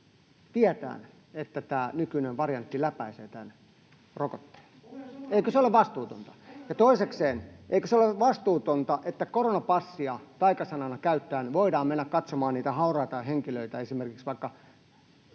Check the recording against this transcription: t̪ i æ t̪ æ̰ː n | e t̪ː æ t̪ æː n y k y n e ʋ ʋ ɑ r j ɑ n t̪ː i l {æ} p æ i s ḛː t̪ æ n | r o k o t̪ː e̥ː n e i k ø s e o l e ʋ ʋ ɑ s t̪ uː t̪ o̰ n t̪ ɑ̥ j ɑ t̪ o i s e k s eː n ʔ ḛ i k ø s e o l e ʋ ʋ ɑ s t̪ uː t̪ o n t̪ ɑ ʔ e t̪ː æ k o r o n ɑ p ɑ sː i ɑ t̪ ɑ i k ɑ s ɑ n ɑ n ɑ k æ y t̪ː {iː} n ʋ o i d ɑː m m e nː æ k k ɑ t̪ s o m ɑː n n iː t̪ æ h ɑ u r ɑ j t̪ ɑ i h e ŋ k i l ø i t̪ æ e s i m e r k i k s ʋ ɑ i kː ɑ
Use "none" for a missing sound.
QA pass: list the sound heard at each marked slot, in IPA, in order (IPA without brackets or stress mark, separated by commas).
æ, æː